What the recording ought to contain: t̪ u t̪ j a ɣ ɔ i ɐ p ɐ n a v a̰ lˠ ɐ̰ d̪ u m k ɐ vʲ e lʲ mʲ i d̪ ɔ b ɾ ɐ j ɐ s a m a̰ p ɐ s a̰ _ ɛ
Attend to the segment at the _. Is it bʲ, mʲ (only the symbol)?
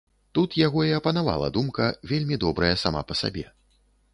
bʲ